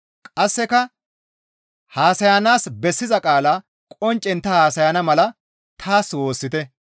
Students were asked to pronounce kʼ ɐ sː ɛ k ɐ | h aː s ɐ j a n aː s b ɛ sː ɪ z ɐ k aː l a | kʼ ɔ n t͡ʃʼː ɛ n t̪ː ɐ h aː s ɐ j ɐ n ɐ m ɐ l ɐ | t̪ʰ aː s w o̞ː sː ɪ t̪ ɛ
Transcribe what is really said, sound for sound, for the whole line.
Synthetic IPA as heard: kʼ ɐ sː ɛ k ɐ | h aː s ɐ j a n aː s b ɛ sː ɪ z ɐ kʼ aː l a | kʼ ɔ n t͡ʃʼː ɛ n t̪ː ɐ h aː s ɐ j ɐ n ɐ m ɐ l ɐ | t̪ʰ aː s w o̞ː sː ɪ t̪ ɛ

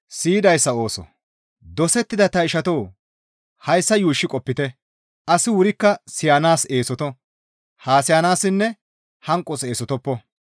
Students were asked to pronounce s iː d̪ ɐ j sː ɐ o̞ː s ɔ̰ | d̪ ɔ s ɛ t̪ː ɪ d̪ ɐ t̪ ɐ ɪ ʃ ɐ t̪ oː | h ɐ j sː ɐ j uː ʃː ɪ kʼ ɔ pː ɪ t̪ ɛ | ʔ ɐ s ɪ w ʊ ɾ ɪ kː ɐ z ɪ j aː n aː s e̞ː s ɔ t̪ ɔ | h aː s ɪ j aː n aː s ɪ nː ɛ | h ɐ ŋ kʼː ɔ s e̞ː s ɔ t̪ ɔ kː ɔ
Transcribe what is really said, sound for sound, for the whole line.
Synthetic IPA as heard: s iː d̪ ɐ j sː ɐ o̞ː s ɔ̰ | d̪ ɔ s ɛ t̪ː ɪ d̪ ɐ t̪ ɐ ɪ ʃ ɐ t̪ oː | h ɐ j sː ɐ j uː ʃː ɪ kʼ ɔ pː ɪ t̪ ɛ | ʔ ɐ s ɪ w ʊ ɾ ɪ kː ɐ s ɪ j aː n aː s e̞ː s ɔ t̪ ɔ | h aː s ɪ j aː n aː s ɪ nː ɛ | h ɐ ŋ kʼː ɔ s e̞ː s ɔ t̪ ɔ pː ɔ

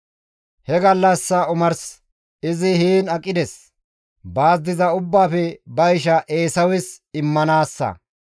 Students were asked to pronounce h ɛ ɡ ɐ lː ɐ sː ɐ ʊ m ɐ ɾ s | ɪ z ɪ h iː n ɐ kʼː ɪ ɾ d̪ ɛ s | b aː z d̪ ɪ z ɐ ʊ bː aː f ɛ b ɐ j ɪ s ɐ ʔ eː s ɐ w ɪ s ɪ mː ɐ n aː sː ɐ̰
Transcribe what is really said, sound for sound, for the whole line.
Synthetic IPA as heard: h ɛ ɡ ɐ lː ɐ sː ɐ ʊ m ɐ ɾ s | ɪ z ɪ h iː n ɐ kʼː ɪ d̪ ɛ s | b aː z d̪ ɪ z ɐ ʊ bː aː f ɛ b ɐ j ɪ ʃ ɐ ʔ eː s ɐ w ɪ s ɪ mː ɐ n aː sː ɐ̰

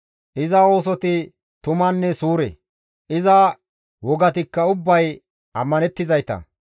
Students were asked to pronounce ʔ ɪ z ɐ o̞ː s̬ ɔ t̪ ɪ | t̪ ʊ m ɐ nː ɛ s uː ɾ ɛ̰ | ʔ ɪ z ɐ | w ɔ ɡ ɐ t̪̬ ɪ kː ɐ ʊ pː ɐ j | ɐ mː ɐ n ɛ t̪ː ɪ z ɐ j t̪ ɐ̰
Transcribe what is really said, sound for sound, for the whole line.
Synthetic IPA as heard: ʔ ɪ z ɐ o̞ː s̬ ɔ t̪ ɪ | t̪ ʊ m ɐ nː ɛ s uː ɾ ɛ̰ | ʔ ɪ z ɐ | w ɔ ɡ ɐ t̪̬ ɪ kː ɐ ʊ bː ɐ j | ɐ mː ɐ n ɛ t̪ː ɪ z ɐ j t̪ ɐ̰

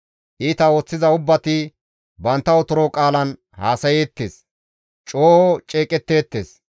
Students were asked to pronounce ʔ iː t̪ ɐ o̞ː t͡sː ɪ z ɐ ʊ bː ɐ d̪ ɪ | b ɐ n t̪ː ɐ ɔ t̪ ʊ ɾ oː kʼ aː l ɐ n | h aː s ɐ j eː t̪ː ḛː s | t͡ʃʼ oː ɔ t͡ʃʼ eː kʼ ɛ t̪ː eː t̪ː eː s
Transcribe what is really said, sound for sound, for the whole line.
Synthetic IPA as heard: ʔ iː t̪ ɐ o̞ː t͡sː ɪ z ɐ ʊ bː ɐ t̪ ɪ | b ɐ n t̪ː ɐ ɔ t̪ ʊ ɾ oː kʼ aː l ɐ n | h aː s ɐ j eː t̪ː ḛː s | t͡ʃʼ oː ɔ t͡ʃʼ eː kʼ ɛ t̪ː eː t̪ː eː s

